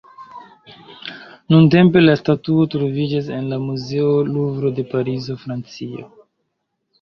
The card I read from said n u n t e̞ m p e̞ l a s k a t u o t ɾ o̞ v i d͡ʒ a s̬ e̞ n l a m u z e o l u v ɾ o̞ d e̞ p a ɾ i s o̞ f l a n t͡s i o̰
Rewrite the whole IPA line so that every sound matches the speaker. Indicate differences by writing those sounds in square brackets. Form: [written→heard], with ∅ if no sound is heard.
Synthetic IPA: n u n t e̞ m p e̞ l a s [k→t] a t u o t ɾ o̞ v i d͡ʒ a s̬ e̞ n l a m u z e o l u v ɾ o̞ d e̞ p a ɾ i [s→z] o̞ f [l→ɾ] a n t͡s i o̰

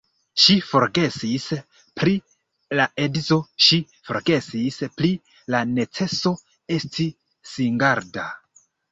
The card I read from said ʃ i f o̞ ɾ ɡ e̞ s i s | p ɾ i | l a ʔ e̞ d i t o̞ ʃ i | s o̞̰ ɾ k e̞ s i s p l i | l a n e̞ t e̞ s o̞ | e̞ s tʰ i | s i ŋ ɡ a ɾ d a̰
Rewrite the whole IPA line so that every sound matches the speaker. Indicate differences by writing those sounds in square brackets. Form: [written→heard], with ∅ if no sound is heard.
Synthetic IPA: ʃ i f o̞ ɾ ɡ e̞ s i s | p ɾ i | l a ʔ e̞ d i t o̞ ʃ i | [s→f] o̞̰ ɾ [k→ɡ] e̞ s i s p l i | l a n e̞ [t→t͡s] e̞ s o̞ | e̞ s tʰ i | s i ŋ ɡ a ɾ d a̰

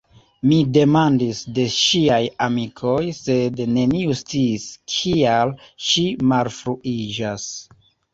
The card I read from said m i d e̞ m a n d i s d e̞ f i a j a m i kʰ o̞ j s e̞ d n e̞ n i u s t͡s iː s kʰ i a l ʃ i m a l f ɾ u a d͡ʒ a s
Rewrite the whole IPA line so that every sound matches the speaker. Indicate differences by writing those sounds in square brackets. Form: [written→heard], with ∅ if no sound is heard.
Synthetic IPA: m i d e̞ m a n d i s d e̞ [f→ʃ] i a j a m i kʰ o̞ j s e̞ d n e̞ n i u s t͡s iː s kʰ i a l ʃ i m a l f ɾ u [a→i] d͡ʒ a s

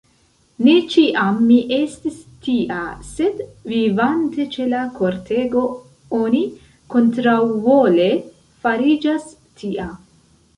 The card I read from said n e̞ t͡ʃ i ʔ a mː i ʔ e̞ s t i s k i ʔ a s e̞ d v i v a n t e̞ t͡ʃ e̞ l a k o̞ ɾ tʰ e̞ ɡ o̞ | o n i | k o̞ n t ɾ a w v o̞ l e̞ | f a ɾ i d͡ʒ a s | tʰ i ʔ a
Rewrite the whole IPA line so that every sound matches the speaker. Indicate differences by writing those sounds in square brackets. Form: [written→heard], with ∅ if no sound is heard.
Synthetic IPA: n e̞ t͡ʃ i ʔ a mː i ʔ e̞ s t i s [k→t] i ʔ a s e̞ d v i v a n t e̞ t͡ʃ e̞ l a k o̞ ɾ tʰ e̞ ɡ o̞ | o n i | k o̞ n t ɾ a w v o̞ l e̞ | f a ɾ i d͡ʒ a s | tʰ i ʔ a

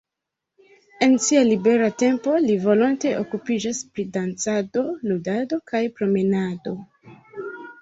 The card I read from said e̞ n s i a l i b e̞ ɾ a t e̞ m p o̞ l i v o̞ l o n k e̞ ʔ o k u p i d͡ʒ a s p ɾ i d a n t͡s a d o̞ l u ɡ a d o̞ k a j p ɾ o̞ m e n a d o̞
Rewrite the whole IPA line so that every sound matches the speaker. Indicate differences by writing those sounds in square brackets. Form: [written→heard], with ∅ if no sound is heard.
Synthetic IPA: e̞ n s i a l i b e̞ ɾ a t e̞ m p o̞ l i v o̞ l o n [k→t] e̞ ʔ o k u p i d͡ʒ a s p ɾ i d a n t͡s a d o̞ l u [ɡ→d] a d o̞ k a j p ɾ o̞ m e n a d o̞

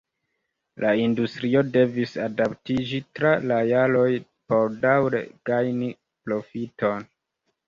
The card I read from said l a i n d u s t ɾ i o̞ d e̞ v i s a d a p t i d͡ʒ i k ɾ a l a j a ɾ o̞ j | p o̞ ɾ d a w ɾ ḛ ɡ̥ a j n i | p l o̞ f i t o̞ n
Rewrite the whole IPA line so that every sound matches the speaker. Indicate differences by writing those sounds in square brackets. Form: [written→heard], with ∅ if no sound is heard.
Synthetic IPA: l a i n d u s t ɾ i o̞ d e̞ v i s a d a p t i d͡ʒ i [k→t] ɾ a l a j a [ɾ→l] o̞ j | p o̞ ɾ d a w ɾ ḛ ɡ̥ a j n i | p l o̞ f i t o̞ n

